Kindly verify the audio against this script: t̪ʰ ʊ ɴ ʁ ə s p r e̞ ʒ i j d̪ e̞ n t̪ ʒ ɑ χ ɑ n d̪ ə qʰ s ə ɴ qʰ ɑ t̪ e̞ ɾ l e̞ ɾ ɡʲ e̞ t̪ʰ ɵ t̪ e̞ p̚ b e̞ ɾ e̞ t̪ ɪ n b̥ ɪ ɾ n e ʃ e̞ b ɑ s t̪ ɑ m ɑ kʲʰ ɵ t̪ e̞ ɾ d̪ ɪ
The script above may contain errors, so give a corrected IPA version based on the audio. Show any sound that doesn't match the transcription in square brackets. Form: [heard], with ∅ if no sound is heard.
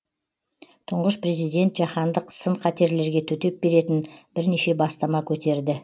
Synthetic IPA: t̪ʰ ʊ ɴ ʁ ə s p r e̞ [z] i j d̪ e̞ n t̪ ʒ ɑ χ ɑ n d̪ ə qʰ s ə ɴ qʰ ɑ t̪ e̞ ɾ l e̞ ɾ ɡʲ e̞ t̪ʰ ɵ t̪ e̞ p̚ b e̞ ɾ e̞ t̪ ɪ n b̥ ɪ ɾ n e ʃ e̞ b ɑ s t̪ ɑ m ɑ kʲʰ ɵ t̪ e̞ ɾ d̪ ɪ